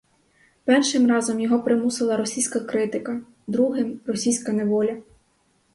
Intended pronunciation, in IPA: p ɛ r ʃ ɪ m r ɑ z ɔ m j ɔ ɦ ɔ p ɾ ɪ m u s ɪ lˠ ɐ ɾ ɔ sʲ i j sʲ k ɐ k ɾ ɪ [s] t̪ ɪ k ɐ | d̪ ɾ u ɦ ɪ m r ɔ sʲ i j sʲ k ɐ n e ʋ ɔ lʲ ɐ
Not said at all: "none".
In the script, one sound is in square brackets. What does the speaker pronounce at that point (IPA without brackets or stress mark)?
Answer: none